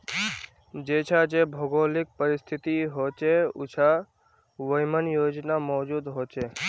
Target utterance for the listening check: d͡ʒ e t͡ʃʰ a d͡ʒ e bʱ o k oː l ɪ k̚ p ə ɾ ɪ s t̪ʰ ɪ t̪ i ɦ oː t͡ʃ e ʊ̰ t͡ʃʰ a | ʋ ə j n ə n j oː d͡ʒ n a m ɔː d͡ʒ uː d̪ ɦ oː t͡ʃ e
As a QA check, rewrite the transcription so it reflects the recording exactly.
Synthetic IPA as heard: d͡ʒ e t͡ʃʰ a d͡ʒ e bʱ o ɡ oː l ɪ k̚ p ə ɾ ɪ s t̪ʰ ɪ t̪ i ɦ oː t͡ʃ e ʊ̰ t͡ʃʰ a | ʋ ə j m ə n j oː d͡ʒ n a m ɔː d͡ʒ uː d̪ ɦ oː t͡ʃ e